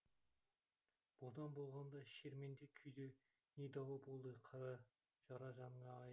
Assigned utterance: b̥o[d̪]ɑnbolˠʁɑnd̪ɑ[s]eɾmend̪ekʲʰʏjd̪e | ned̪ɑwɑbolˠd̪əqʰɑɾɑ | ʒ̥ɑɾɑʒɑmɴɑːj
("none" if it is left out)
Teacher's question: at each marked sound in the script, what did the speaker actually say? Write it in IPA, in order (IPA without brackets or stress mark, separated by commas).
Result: d̪, ʃ